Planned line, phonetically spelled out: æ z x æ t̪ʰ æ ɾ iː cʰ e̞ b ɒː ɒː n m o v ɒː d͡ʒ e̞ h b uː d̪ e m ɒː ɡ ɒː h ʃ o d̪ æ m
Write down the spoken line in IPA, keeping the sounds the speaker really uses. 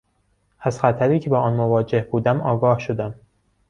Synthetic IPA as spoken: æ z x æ t̪ʰ æ ɾ iː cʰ e̞ b ɒː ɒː n m o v ɒː d͡ʒ e̞ h b uː d̪ æ m ɒː ɡ ɒː h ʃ o d̪ æ m